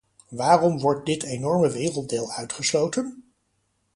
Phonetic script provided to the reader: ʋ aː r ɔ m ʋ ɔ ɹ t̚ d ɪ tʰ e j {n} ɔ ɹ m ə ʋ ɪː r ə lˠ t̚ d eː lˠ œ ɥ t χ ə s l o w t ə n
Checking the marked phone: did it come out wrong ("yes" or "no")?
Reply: no